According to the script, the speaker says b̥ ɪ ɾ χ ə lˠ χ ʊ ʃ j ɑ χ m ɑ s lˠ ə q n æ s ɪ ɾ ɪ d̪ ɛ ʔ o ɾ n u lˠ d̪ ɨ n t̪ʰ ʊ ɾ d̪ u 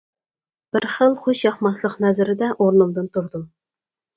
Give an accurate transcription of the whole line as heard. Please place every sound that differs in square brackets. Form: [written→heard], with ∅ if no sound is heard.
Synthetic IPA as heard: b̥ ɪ ɾ χ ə lˠ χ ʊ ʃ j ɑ χ m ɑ s lˠ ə q n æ [s→z] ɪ ɾ ɪ d̪ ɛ ʔ o ɾ n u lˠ d̪ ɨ n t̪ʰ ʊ ɾ d̪ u

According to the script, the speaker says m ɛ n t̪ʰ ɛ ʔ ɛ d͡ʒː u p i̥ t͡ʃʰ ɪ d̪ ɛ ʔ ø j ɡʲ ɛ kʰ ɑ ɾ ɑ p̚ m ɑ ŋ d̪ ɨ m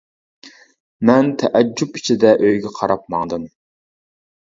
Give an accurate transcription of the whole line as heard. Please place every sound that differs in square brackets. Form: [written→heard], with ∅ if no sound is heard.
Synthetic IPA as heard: m ɛ n t̪ʰ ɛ ʔ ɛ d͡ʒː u p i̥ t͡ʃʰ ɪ d̪ ɛ ʔ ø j ɡʲ ɛ [kʰ→qʰ] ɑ ɾ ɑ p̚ m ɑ ŋ d̪ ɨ m

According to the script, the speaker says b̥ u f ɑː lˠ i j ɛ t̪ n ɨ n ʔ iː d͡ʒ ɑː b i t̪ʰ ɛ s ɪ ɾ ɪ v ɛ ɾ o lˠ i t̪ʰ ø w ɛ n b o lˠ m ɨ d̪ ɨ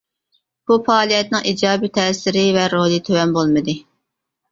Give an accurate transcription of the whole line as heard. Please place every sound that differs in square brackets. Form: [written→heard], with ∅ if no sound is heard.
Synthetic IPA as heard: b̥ u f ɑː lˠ i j ɛ t̪ n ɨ [n→ŋ] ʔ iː d͡ʒ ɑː b i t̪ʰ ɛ s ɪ ɾ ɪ v ɛ ɾ o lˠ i t̪ʰ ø w ɛ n b o lˠ m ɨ d̪ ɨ

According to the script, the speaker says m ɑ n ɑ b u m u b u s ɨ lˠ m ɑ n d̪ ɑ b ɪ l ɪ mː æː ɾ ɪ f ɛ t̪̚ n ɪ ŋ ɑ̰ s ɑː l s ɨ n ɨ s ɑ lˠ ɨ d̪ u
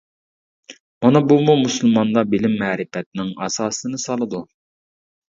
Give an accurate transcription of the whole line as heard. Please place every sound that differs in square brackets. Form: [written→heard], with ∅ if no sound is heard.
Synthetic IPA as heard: m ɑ n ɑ b u m u [b→m] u s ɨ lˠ m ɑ n d̪ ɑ b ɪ l ɪ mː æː ɾ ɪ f ɛ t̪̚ n ɪ ŋ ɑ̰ s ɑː [l→∅] s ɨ n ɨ s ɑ lˠ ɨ d̪ u

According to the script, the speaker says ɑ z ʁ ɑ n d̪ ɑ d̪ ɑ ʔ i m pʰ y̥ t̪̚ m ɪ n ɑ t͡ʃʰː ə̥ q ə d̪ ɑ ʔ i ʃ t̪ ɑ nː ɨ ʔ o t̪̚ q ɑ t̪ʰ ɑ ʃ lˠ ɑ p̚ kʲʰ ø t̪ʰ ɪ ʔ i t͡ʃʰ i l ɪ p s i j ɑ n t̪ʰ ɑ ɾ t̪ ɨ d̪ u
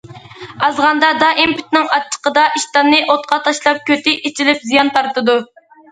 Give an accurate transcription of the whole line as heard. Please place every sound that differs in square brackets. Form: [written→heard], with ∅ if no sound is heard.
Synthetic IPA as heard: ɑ z ʁ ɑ n d̪ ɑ d̪ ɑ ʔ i m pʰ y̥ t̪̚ [m→n] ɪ [n→ŋ] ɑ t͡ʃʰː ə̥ q ə d̪ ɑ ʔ i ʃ t̪ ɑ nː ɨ ʔ o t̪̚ q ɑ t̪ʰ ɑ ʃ lˠ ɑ p̚ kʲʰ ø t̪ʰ ɪ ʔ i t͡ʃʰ i l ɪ p [s→z] i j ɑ n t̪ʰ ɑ ɾ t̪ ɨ d̪ u

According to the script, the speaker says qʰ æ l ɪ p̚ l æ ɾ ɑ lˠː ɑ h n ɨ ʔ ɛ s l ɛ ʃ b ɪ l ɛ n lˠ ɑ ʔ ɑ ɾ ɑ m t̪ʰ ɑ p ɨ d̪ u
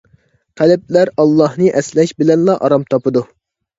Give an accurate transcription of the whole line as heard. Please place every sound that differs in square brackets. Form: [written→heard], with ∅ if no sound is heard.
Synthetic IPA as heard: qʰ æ l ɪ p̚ l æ ɾ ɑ lˠː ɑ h n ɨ ʔ ɛ s l ɛ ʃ b ɪ l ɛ n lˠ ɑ ʔ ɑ ɾ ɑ m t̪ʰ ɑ p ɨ d̪ u

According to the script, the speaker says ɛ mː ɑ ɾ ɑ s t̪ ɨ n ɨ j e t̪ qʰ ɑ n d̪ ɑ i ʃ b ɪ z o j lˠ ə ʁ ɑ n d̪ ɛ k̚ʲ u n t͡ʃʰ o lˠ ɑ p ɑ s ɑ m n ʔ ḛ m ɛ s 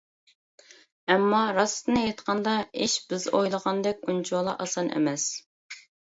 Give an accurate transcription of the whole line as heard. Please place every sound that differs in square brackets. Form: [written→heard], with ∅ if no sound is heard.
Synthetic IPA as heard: ɛ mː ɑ ɾ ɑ s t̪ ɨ n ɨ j e t̪ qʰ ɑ n d̪ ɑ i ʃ b ɪ z o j lˠ ə ʁ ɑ n d̪ ɛ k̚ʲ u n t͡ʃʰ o lˠ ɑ [p→ʔ] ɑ s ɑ [m→∅] n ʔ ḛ m ɛ s

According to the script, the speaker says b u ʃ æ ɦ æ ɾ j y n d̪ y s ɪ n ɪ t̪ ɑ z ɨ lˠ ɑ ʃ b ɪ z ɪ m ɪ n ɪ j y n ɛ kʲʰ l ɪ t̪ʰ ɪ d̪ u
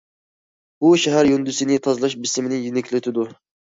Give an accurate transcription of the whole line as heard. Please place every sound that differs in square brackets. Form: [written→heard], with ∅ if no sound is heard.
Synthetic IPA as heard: b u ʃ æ ɦ æ ɾ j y n d̪ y s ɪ n ɪ [t̪→t̪ʰ] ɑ z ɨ lˠ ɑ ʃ b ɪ [z→s] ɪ m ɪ n ɪ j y n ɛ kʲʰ l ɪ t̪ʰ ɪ d̪ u

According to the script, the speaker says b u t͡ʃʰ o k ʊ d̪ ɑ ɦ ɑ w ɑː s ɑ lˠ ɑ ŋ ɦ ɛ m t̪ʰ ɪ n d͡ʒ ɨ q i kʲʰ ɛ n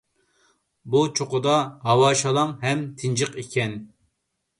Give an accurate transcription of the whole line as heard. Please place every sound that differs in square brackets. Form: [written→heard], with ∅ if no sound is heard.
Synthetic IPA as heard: b u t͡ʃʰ o [k→q] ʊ d̪ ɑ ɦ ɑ w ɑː [s→ʃ] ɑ lˠ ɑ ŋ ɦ ɛ m t̪ʰ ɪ n d͡ʒ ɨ q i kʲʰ ɛ n

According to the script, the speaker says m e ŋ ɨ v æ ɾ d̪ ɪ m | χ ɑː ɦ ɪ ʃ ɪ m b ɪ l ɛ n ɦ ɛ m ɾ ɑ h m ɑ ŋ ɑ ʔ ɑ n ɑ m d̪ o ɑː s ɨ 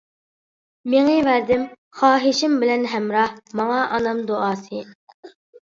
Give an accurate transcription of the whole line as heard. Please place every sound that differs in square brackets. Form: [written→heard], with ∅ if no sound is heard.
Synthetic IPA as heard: m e ŋ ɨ v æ ɾ d̪ ɪ m | χ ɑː ɦ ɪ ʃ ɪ m b ɪ l ɛ n ɦ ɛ m ɾ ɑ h m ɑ ŋ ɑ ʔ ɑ n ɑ m d̪ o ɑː s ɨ

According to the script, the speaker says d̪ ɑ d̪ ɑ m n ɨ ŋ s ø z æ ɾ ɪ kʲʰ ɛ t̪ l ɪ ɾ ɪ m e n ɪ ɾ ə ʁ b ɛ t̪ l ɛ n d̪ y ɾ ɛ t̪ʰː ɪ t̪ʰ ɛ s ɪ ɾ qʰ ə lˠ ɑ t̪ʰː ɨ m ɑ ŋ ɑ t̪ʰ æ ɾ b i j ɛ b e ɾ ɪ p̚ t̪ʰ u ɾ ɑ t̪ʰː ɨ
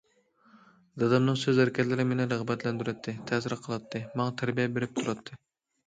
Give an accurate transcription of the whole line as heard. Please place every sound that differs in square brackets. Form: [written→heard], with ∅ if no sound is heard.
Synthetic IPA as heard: d̪ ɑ d̪ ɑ m n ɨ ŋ s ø z æ ɾ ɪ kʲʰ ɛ t̪ l ɪ ɾ ɪ m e n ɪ ɾ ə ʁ b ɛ t̪ l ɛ n d̪ y ɾ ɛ t̪ʰː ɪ t̪ʰ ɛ s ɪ ɾ qʰ ə lˠ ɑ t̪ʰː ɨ m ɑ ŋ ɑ t̪ʰ æ ɾ b i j ɛ b e ɾ ɪ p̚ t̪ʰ u ɾ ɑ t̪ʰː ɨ

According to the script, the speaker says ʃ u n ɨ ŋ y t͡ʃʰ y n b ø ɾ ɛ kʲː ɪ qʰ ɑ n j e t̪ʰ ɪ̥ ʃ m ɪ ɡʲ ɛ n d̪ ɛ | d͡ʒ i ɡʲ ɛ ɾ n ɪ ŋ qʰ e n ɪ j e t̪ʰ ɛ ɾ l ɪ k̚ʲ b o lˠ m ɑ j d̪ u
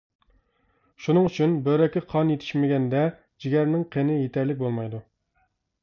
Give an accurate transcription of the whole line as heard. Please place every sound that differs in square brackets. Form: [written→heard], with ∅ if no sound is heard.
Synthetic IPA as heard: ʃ u n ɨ ŋ y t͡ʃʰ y n b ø ɾ ɛ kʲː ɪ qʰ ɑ n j e t̪ʰ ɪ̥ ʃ m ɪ ɡʲ ɛ n d̪ ɛ | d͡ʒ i ɡʲ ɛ ɾ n ɪ ŋ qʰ e n ɪ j e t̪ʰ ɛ ɾ l ɪ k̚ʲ b o lˠ m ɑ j d̪ u

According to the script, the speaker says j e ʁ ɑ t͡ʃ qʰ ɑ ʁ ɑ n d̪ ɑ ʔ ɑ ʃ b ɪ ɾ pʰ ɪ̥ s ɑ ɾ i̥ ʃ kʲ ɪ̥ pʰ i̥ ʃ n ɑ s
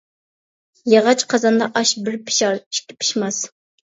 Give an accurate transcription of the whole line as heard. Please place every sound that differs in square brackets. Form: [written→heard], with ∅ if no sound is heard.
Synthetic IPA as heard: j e ʁ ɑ t͡ʃ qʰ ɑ [ʁ→z] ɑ n d̪ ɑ ʔ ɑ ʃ b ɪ ɾ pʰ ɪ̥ [s→ʃ] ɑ ɾ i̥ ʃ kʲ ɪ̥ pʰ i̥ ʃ [n→m] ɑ s

